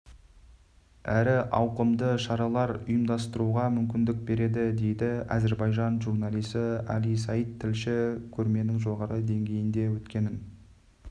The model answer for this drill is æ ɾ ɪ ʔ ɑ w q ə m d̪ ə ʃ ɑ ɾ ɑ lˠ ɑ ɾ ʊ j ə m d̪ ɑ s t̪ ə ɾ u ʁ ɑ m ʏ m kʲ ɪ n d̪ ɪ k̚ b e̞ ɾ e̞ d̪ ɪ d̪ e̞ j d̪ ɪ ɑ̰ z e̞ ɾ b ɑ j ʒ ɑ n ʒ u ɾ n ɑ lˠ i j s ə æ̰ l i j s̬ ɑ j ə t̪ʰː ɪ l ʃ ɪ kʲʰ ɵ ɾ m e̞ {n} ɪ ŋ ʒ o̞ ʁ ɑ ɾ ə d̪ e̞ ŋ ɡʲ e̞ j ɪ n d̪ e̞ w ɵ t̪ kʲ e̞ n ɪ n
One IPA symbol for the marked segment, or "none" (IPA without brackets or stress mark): n